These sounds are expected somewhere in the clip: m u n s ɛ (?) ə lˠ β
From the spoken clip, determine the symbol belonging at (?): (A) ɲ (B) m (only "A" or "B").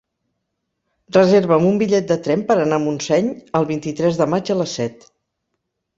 A